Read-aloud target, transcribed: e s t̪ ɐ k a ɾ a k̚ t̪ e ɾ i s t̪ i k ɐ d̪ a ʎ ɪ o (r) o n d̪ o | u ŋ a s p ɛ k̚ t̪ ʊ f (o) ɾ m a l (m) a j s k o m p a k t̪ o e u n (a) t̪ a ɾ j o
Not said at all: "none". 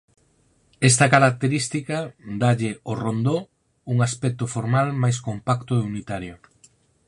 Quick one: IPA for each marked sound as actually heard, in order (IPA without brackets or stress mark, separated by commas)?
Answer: r, o, m, i